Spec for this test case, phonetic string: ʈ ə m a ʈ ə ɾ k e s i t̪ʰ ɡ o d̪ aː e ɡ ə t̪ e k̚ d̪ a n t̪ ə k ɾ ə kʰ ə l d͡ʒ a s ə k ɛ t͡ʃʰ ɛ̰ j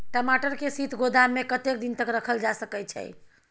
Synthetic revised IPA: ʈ ə m a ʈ ə ɾ k e s i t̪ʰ ɡ o d̪ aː e k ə t̪ e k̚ d̪ i n t̪ ə k ɾ ə kʰ ə l d͡ʒ a s ə k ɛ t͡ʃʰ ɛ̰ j